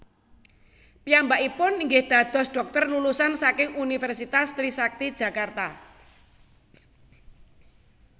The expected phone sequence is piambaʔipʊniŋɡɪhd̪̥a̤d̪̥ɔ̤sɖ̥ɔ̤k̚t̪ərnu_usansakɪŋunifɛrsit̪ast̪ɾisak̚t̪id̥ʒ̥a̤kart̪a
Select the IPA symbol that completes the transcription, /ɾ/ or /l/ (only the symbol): l